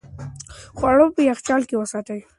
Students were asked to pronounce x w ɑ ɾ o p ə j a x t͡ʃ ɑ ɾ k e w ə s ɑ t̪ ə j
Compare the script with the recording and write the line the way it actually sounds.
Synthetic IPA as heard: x w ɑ ɽ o p ə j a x t͡ʃ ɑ l k e w ə s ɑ t̪ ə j